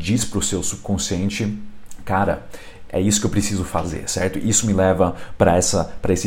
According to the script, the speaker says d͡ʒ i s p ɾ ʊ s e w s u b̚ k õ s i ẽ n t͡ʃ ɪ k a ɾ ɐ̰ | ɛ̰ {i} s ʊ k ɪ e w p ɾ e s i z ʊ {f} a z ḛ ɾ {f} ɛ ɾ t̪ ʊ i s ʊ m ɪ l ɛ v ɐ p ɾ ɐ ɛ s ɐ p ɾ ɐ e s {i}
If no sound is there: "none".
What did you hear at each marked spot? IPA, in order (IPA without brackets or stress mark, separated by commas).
i, f, s, ɪ